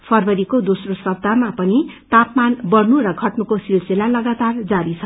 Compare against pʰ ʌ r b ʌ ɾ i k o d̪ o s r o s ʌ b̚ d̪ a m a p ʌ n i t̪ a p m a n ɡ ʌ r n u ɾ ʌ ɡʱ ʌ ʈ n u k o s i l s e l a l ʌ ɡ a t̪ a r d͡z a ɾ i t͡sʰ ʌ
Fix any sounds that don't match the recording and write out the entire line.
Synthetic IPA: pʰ ʌ r b ʌ ɾ i k o d̪ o s r o s ʌ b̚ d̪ a m a p ʌ n i t̪ a p m a n b ʌ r n u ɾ ʌ ɡʱ ʌ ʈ n u k o s i l s e l a l ʌ ɡ a t̪ a r d͡z a ɾ i t͡sʰ ʌ